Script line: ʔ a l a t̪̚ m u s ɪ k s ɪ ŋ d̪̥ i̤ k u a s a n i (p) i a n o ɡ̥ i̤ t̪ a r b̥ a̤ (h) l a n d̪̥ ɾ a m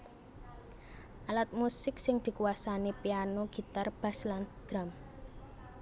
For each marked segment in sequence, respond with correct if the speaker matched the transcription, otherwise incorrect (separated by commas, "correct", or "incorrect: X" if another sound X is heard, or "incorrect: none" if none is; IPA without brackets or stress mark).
correct, incorrect: s